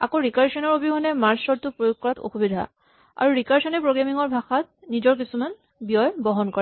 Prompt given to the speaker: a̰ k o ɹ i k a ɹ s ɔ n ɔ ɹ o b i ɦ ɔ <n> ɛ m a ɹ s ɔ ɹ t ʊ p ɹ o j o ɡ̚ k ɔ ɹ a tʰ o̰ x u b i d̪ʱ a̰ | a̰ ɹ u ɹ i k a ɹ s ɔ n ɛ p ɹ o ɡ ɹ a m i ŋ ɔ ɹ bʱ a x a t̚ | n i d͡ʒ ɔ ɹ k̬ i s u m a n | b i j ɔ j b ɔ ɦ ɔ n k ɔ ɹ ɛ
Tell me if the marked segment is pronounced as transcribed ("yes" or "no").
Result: yes